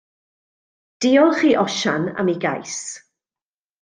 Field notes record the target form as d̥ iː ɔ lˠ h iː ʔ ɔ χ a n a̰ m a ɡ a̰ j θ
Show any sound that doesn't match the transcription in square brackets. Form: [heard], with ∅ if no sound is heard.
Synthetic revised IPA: d̥ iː ɔ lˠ [χ] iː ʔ ɔ [ʃ] a n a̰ m [i] ɡ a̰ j [s]